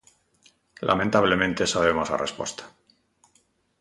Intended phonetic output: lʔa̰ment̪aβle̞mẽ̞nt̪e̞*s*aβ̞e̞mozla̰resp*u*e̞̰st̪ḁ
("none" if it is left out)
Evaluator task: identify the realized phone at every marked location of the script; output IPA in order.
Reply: s, w

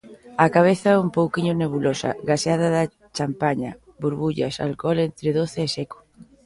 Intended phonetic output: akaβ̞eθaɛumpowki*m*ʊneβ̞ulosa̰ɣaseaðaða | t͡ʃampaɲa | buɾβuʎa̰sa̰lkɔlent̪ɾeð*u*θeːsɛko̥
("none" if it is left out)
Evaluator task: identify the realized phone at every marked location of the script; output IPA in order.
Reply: ɲ, o

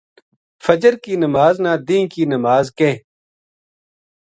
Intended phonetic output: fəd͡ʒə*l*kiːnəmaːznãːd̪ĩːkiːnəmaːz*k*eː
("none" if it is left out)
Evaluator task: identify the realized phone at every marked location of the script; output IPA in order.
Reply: ɾ, k

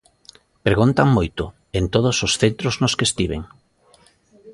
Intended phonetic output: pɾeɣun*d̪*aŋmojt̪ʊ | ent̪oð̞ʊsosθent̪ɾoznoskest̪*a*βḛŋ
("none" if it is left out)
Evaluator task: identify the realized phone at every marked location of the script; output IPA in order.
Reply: t̪, i

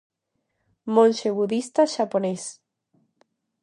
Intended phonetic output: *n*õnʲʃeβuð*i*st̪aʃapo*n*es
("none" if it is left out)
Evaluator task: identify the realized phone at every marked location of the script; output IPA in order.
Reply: m, i, n

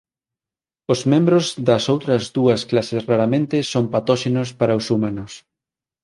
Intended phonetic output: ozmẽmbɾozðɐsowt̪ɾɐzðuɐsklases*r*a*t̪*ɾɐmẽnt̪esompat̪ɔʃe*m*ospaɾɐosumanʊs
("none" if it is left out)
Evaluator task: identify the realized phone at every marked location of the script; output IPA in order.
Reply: r, none, n

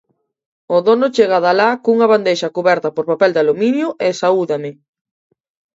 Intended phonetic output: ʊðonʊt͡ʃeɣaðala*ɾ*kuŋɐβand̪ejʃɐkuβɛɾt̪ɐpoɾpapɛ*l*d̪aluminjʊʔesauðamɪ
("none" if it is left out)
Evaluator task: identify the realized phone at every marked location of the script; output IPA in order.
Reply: none, l

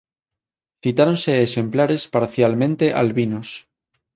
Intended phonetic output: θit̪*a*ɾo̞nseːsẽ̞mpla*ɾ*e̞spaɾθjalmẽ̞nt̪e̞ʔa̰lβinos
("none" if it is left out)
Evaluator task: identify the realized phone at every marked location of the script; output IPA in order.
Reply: a, ɾ

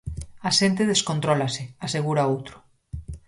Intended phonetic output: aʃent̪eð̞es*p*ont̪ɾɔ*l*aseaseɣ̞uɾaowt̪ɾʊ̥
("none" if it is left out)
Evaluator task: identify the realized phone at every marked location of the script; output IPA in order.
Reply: k, l

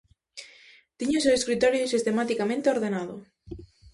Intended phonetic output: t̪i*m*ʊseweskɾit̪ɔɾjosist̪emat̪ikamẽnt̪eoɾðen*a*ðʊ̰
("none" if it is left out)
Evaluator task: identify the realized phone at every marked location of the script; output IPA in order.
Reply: ɲ, a

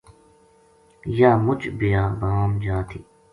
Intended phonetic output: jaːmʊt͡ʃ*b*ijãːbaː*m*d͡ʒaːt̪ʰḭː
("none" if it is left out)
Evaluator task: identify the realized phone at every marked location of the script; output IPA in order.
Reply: b, m

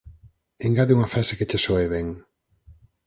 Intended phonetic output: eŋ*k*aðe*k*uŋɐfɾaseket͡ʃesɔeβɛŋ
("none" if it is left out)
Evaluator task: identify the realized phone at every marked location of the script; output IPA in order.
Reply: ɡ, none

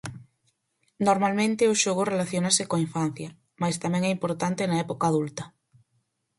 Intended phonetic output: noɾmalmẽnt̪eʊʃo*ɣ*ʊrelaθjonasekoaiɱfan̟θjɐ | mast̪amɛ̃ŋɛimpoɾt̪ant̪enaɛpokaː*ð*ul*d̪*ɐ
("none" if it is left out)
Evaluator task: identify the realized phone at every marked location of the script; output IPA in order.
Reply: ɣ, ð, t̪

